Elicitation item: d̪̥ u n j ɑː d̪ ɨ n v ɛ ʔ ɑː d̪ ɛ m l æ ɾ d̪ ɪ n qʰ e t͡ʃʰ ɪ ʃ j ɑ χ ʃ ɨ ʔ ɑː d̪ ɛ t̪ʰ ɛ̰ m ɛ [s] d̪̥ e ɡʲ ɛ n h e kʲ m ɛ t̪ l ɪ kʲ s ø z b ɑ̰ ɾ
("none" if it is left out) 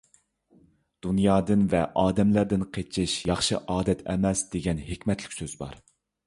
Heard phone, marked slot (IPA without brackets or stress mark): s